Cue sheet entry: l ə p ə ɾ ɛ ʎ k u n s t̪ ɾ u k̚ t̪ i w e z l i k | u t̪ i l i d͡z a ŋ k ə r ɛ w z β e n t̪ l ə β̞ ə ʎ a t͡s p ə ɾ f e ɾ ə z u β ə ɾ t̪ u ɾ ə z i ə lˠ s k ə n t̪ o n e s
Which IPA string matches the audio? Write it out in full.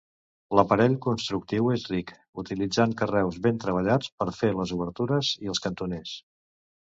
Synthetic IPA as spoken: l ə p ə ɾ ɛ ʎ k u n s t̪ ɾ u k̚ t̪ i w e z r i k | u t̪ i l i d͡z a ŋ k ə r ɛ w z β e n t̪ ɾ ə β̞ ə ʎ a t͡s p ə ɾ f e l ə z u β ə ɾ t̪ u ɾ ə z i ə lˠ s k ə n t̪ u n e s